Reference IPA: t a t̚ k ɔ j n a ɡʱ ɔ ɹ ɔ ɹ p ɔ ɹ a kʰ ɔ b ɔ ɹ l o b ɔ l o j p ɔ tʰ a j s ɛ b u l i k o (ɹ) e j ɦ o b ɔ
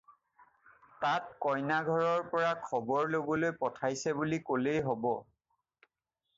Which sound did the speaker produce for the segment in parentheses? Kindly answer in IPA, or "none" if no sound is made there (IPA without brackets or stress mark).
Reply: l